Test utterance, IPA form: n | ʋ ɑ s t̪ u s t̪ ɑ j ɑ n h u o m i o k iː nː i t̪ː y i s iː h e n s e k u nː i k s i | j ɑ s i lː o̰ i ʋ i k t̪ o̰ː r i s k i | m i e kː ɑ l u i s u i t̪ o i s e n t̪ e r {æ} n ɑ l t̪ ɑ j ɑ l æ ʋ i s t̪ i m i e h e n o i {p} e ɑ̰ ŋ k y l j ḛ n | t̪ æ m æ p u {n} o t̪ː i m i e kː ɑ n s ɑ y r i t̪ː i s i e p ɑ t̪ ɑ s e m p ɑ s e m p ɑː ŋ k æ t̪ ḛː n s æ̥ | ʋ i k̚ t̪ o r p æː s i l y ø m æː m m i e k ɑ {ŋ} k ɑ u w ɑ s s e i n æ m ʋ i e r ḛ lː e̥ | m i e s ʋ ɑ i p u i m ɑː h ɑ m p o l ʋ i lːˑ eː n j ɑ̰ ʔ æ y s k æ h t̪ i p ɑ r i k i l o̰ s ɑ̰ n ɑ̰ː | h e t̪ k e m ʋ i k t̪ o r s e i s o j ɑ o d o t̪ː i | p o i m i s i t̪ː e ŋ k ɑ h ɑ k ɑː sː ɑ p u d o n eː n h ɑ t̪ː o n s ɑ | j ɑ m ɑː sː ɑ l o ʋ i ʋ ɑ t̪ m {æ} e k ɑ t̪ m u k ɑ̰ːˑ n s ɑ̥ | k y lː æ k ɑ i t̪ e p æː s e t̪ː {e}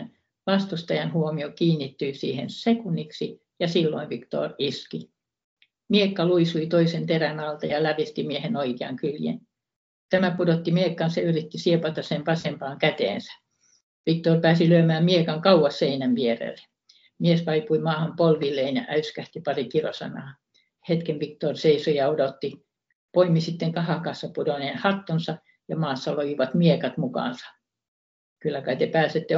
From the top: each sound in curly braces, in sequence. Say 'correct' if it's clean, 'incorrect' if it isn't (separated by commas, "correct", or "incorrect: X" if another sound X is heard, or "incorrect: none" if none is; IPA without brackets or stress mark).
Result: correct, incorrect: k, incorrect: d, correct, incorrect: i, correct